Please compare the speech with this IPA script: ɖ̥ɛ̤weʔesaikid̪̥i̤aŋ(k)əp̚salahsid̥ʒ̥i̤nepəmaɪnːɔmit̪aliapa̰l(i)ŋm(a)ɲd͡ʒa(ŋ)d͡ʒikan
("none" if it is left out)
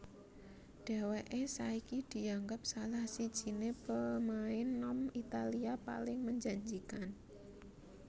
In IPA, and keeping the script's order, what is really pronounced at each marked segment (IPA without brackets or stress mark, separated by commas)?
ɡ, ɪ, ə, ɲ